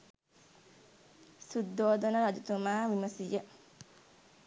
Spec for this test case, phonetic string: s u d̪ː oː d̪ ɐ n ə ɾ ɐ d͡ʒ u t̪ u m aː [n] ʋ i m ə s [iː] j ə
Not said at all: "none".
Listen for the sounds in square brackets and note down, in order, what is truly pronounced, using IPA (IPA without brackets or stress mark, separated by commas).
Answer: none, i